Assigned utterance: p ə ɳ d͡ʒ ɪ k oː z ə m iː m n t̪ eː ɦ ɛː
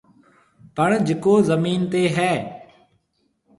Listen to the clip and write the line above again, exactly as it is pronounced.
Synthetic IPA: p ə ɳ d͡ʒ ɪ k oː z ə m iː n t̪ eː ɦ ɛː